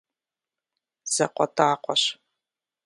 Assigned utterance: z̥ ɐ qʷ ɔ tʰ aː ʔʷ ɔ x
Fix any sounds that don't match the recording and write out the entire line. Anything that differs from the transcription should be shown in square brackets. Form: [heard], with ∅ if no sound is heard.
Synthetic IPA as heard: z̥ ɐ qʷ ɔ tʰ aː [qʷ] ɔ [ɕ]